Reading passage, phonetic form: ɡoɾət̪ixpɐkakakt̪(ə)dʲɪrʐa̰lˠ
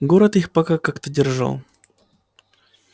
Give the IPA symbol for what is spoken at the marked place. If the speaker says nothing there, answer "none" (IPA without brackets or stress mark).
ə